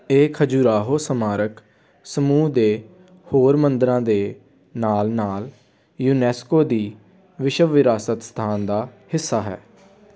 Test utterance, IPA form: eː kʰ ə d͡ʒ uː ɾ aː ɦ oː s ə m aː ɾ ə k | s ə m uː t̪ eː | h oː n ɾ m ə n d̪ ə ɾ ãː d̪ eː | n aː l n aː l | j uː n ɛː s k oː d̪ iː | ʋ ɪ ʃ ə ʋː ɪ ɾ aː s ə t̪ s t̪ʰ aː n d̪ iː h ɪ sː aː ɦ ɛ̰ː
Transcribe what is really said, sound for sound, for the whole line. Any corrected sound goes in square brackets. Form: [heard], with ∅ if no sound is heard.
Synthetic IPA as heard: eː kʰ ə d͡ʒ uː ɾ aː ɦ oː s ə m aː ɾ ə k | s ə m uː [d̪] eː | h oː [∅] ɾ m ə n d̪ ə ɾ ãː d̪ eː | n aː l n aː l | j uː n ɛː s k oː d̪ iː | ʋ ɪ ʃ ə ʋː ɪ ɾ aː s ə t̪ s t̪ʰ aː n d̪ [aː] h ɪ sː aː ɦ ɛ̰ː